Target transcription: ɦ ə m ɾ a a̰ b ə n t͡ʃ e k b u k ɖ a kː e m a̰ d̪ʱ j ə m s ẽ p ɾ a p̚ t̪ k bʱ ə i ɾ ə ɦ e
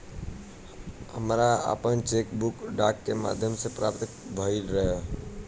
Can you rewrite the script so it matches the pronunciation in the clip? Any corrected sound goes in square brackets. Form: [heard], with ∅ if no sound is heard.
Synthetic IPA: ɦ ə m ɾ a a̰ [p] ə n t͡ʃ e k b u k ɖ a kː e m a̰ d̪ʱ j ə m s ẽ p ɾ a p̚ t̪ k bʱ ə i ɾ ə ɦ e